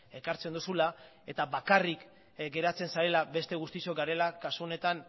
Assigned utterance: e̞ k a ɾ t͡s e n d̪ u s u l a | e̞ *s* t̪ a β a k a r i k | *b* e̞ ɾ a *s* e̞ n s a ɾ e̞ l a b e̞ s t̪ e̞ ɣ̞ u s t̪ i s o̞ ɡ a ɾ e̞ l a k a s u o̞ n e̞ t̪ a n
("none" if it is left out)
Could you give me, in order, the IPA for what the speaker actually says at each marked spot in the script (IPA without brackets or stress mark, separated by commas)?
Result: none, ɡ, t͡s